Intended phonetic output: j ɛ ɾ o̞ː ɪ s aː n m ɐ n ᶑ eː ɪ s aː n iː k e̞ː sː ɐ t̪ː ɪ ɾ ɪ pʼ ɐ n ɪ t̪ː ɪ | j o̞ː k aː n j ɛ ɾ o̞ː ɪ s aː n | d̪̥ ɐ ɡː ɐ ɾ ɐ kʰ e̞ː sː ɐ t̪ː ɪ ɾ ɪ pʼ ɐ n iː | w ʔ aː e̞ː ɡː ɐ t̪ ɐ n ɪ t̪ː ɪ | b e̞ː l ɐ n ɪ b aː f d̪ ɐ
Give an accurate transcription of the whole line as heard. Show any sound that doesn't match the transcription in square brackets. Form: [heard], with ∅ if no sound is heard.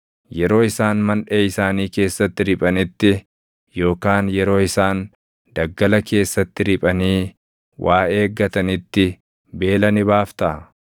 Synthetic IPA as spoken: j ɛ ɾ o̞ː ɪ s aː n m ɐ n ᶑ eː ɪ s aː n iː k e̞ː sː ɐ t̪ː ɪ ɾ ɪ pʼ ɐ n ɪ t̪ː ɪ | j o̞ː k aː n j ɛ ɾ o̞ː ɪ s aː n | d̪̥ ɐ ɡː ɐ [l] ɐ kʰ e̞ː sː ɐ t̪ː ɪ ɾ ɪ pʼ ɐ n iː | w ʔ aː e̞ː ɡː ɐ t̪ ɐ n ɪ t̪ː ɪ | b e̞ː l ɐ n ɪ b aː f [t̪] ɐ